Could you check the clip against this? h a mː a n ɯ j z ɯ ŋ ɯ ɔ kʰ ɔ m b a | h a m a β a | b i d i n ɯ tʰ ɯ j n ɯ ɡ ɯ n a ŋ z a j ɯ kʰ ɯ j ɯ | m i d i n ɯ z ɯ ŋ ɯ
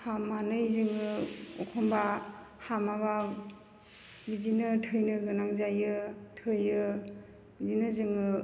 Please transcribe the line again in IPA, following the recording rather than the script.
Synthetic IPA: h a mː a n ɯ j z ɯ ŋ ɯ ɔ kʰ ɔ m b a | h a m a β a | b i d i n ɯ tʰ ɯ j n ɯ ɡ ɯ n a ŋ z a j ɯ tʰ ɯ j ɯ | b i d i n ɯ z ɯ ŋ ɯ